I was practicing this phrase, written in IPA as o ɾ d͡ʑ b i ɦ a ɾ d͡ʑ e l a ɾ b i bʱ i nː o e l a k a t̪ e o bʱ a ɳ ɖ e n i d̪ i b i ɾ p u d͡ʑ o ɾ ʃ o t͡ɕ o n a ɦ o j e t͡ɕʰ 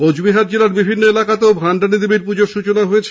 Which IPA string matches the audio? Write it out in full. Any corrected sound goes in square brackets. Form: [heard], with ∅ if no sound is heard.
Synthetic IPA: o [∅] d͡ʑ b i ɦ a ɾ d͡ʑ e l a ɾ b i bʱ i nː o e l a k a t̪ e o bʱ a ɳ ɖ [a] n i d̪ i b i ɾ p u d͡ʑ o ɾ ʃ [u] t͡ɕ o n a ɦ o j e t͡ɕʰ